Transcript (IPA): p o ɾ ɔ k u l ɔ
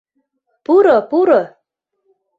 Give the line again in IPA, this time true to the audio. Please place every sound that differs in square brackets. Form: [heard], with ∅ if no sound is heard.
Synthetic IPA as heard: p [u] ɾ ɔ [p] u [ɾ] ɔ